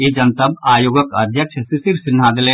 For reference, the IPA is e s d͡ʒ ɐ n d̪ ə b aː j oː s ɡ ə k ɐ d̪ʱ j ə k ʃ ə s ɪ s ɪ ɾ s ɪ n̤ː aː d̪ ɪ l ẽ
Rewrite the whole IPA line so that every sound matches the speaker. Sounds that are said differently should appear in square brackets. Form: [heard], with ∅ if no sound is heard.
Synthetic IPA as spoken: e [∅] d͡ʒ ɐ n [t̪] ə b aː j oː [∅] ɡ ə k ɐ d̪ʱ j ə k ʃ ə s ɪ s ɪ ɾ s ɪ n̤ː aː d̪ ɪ l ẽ